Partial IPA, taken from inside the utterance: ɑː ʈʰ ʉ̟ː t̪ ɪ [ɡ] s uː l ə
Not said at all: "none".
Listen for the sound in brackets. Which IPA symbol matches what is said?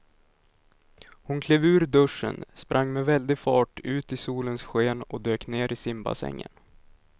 none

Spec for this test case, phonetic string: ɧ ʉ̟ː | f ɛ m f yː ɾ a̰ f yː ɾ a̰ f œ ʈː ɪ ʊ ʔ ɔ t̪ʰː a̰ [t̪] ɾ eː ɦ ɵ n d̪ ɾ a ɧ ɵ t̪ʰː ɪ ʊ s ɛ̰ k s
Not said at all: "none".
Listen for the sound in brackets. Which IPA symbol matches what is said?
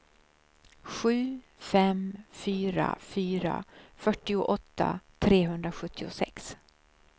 t̪ʰ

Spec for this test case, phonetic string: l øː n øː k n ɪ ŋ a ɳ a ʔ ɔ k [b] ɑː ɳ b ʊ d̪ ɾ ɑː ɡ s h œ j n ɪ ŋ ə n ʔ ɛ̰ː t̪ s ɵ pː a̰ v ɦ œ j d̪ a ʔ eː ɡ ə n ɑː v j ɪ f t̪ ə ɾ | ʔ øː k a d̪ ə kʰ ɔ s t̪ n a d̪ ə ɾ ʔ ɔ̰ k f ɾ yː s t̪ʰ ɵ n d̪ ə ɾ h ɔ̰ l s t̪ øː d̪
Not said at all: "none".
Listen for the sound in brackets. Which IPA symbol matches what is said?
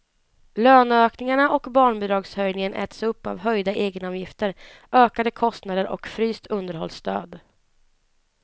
b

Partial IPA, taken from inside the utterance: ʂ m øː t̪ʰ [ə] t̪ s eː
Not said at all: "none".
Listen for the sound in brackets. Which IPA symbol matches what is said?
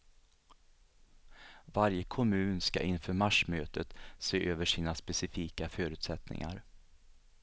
ə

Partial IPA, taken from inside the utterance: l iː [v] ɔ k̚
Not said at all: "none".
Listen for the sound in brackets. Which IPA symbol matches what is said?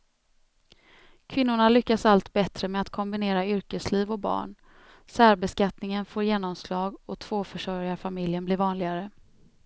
v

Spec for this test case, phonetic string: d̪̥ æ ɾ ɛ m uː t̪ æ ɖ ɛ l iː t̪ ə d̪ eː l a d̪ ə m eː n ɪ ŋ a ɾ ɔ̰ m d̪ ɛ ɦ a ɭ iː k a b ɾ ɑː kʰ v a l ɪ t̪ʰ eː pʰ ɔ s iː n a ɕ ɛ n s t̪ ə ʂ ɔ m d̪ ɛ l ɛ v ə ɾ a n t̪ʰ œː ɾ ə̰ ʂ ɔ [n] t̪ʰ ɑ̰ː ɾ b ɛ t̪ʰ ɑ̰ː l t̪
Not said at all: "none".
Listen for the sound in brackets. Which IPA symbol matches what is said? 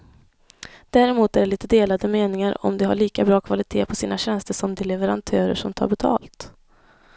m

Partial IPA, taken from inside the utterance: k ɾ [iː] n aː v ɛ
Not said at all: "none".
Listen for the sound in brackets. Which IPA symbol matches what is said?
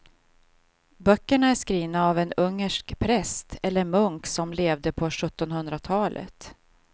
iː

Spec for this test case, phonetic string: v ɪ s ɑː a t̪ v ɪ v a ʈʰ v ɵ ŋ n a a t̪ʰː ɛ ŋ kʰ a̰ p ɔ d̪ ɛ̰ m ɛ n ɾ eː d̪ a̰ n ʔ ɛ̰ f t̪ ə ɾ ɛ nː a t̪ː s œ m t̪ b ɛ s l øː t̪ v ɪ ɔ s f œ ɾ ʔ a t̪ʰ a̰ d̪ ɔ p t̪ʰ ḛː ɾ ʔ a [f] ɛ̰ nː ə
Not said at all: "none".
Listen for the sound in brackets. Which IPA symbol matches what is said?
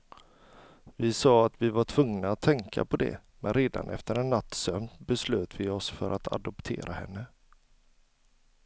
h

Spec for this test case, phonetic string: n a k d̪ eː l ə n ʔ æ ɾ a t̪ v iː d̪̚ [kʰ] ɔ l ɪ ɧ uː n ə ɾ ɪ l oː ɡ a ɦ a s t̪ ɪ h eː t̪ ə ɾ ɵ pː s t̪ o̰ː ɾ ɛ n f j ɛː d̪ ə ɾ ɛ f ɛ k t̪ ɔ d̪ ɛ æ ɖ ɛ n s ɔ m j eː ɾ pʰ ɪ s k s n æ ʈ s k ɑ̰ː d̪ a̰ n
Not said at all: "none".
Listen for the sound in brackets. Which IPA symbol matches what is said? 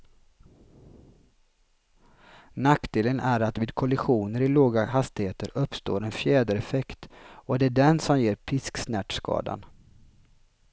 kʰ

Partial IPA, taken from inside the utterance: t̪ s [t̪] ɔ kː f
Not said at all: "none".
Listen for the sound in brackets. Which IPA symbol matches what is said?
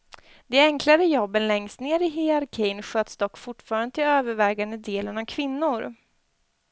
d̪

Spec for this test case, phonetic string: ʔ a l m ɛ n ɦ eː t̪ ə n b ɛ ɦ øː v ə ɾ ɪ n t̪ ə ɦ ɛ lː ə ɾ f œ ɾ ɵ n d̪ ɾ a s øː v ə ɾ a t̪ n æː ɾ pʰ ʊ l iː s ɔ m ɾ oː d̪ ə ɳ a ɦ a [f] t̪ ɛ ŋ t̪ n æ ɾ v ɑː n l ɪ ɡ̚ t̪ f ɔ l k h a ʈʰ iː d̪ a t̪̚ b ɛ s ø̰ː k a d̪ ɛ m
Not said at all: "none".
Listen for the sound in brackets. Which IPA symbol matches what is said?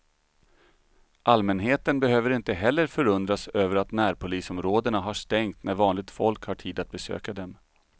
ʂ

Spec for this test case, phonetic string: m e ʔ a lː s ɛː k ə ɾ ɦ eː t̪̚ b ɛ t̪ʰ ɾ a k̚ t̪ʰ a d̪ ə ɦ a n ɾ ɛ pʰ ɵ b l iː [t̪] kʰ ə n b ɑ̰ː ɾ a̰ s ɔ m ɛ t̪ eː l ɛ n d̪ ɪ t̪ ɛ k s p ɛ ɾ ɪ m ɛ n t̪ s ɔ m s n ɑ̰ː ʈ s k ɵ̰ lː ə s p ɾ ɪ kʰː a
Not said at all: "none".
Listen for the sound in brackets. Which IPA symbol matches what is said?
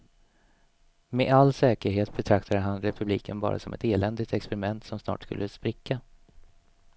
none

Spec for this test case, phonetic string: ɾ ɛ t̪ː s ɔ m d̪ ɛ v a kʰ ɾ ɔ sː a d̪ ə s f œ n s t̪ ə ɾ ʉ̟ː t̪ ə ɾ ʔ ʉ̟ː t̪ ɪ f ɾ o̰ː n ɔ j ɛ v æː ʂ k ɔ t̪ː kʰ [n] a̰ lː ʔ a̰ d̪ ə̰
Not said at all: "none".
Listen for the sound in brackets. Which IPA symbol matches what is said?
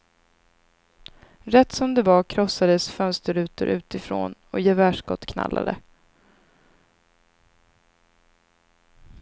n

